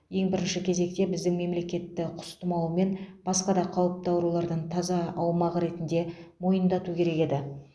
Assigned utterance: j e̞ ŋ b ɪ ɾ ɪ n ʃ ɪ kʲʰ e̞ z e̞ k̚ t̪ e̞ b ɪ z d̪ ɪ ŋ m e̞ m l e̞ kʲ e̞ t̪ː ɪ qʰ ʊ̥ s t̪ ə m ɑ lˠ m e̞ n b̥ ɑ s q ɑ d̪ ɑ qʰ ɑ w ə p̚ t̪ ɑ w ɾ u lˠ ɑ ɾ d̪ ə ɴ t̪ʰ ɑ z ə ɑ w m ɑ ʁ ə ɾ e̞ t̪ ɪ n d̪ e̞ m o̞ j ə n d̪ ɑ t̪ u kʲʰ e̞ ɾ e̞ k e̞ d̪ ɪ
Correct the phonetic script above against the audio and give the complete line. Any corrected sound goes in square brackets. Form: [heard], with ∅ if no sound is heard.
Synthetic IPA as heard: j e̞ ŋ b ɪ ɾ ɪ n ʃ ɪ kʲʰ e̞ z e̞ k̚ t̪ e̞ b ɪ z d̪ ɪ ŋ m e̞ m l e̞ kʲ e̞ t̪ː ɪ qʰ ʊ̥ s t̪ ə m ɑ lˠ m e̞ n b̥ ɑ s q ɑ d̪ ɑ qʰ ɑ w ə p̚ t̪ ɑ w ɾ u lˠ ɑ ɾ d̪ ə ɴ t̪ʰ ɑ z [ɑ] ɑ w m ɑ ʁ ə ɾ e̞ t̪ ɪ n d̪ e̞ m o̞ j ə n d̪ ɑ t̪ u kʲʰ e̞ ɾ e̞ k e̞ d̪ ɪ